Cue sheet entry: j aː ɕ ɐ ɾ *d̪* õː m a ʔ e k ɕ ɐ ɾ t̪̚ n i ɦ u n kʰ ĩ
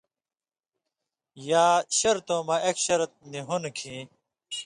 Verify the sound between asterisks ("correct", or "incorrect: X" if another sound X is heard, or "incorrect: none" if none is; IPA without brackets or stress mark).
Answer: incorrect: t̪